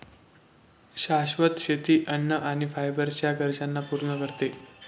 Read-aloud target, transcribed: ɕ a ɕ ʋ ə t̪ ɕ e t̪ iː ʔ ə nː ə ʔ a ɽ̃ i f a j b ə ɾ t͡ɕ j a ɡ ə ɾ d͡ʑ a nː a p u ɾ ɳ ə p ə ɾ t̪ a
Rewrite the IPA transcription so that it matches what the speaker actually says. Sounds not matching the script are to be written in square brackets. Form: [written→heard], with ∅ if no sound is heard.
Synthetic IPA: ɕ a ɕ ʋ ə t̪ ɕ e t̪ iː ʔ ə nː ə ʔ a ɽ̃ i f a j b ə ɾ t͡ɕ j a ɡ ə ɾ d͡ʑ a nː a p u ɾ ɳ ə [p→k] ə ɾ t̪ [a→e]